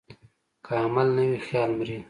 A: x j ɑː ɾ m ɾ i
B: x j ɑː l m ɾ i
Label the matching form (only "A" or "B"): B